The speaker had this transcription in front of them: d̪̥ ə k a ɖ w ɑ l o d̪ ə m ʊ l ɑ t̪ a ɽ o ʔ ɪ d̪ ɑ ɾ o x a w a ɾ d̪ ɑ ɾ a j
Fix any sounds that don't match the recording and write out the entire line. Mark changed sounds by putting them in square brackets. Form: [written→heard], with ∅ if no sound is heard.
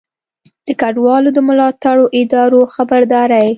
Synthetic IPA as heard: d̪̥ ə k a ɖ w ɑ l o d̪ ə m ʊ l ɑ t̪ a ɽ o ʔ ɪ d̪ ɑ ɾ o x a [w→b] a ɾ d̪ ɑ ɾ a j